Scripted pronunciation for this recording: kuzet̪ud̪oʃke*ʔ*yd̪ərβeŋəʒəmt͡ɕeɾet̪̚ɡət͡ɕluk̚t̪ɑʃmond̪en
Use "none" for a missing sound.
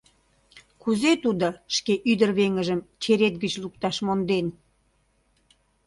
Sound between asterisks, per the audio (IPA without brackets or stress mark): ʔ